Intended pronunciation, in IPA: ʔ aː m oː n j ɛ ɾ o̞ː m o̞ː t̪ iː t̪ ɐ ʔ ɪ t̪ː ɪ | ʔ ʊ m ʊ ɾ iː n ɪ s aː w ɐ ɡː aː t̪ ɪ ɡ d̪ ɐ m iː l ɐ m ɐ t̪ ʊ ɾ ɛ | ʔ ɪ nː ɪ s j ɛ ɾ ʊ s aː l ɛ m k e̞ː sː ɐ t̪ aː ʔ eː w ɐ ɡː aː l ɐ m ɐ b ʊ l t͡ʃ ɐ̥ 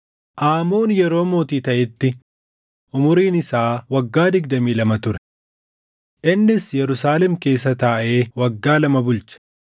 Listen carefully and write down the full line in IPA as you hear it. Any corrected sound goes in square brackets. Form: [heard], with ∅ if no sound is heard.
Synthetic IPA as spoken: ʔ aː m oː n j ɛ ɾ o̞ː m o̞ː t̪ iː t̪ ɐ ʔ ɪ t̪ː ɪ | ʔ ʊ m ʊ ɾ iː n ɪ s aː w ɐ ɡː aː [d̪] ɪ ɡ d̪ ɐ m iː l ɐ m ɐ t̪ ʊ ɾ ɛ | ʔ ɪ nː ɪ s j ɛ ɾ ʊ s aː l ɛ m k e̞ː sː ɐ t̪ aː ʔ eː w ɐ ɡː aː l ɐ m ɐ b ʊ l t͡ʃ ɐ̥

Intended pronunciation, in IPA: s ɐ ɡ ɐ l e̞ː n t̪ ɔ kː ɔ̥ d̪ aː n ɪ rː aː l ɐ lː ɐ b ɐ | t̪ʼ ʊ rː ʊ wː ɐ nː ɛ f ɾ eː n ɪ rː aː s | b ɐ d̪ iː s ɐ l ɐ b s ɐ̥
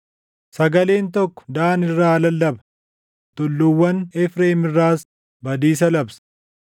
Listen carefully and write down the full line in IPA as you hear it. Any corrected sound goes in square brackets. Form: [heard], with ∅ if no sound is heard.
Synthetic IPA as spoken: s ɐ ɡ ɐ l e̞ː n t̪ ɔ kː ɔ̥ d̪ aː n ɪ rː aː l ɐ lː ɐ b ɐ | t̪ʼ ʊ [lː] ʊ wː ɐ [n] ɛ f ɾ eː [m] ɪ rː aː s | b ɐ d̪ iː s ɐ l ɐ b s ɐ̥

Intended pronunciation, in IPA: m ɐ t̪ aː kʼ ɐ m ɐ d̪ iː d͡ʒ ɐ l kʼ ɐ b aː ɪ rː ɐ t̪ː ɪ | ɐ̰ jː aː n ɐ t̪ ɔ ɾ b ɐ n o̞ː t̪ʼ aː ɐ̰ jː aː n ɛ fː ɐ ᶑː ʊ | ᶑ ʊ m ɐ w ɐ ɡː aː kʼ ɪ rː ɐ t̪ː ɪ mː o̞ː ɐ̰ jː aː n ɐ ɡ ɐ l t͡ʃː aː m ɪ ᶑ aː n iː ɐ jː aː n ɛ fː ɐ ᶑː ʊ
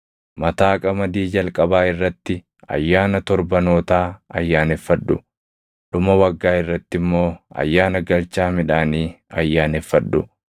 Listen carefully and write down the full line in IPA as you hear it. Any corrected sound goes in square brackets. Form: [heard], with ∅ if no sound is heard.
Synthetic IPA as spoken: m ɐ t̪ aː kʼ ɐ m ɐ d̪ iː d͡ʒ ɐ l kʼ ɐ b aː ɪ rː ɐ t̪ː ɪ | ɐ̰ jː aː n ɐ t̪ ɔ ɾ b ɐ n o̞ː [t̪] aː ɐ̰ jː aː n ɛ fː ɐ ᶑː ʊ | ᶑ ʊ m ɐ w ɐ ɡː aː [∅] ɪ rː ɐ t̪ː ɪ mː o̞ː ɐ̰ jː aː n ɐ ɡ ɐ l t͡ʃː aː m ɪ ᶑ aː n iː ɐ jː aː n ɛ fː ɐ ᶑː ʊ

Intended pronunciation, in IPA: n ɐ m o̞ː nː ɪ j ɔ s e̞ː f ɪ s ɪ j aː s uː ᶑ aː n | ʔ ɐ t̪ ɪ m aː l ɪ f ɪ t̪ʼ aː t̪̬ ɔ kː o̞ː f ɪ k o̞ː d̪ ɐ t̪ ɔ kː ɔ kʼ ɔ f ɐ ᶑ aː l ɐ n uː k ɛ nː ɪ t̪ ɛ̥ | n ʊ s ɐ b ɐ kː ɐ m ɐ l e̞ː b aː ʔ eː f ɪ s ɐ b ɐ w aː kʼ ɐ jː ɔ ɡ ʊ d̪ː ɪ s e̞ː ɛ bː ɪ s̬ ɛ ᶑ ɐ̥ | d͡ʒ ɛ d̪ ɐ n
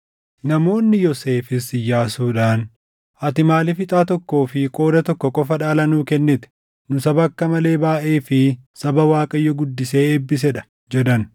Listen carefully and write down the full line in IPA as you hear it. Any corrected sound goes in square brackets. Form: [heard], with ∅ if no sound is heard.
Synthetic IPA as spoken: n ɐ m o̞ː nː ɪ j ɔ s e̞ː f ɪ s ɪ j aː s uː ᶑ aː n | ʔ ɐ t̪ ɪ m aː l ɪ f ɪ t̪ʼ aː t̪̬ ɔ kː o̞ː f ɪ [kʼ] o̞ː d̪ ɐ t̪ ɔ kː ɔ kʼ ɔ f ɐ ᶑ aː l ɐ n uː k ɛ nː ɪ t̪ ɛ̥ | n ʊ s ɐ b ɐ kː ɐ m ɐ l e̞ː b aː ʔ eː f ɪ s ɐ b ɐ w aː kʼ ɐ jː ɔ ɡ ʊ d̪ː ɪ s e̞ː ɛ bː ɪ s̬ ɛ ᶑ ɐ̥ | d͡ʒ ɛ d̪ ɐ n

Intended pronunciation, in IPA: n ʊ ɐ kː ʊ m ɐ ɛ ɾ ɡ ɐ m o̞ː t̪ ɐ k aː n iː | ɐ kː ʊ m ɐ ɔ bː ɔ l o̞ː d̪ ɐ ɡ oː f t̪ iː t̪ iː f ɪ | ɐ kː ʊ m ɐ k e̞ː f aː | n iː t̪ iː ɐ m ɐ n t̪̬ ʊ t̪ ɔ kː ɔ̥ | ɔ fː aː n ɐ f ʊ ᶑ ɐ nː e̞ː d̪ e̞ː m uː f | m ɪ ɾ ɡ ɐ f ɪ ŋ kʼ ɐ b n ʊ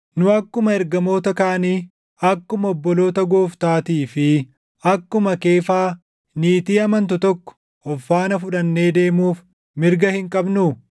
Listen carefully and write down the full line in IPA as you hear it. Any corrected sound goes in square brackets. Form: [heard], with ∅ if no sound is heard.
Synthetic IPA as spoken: n ʊ ɐ kː ʊ m ɐ ɛ ɾ ɡ ɐ m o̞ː t̪ ɐ k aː n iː | ɐ kː ʊ m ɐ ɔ bː ɔ l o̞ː [t̪] ɐ ɡ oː f t̪ [aː] t̪ iː f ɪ | ɐ kː ʊ m ɐ k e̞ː f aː | n iː t̪ iː ɐ m ɐ n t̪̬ ʊ t̪ ɔ kː ɔ̥ | ɔ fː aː n ɐ f ʊ ᶑ ɐ nː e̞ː d̪ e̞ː m uː f | m ɪ ɾ ɡ ɐ [h] ɪ ŋ kʼ ɐ b n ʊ

